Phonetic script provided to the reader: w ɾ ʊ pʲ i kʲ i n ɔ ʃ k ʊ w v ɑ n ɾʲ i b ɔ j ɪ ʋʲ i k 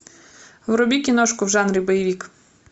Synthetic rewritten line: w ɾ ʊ bʲ i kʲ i n ɔ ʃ k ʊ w ʒ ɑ n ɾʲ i b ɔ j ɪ ʋʲ i k